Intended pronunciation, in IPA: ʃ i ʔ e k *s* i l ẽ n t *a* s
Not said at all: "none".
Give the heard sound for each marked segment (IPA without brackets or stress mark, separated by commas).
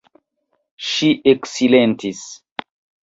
s, i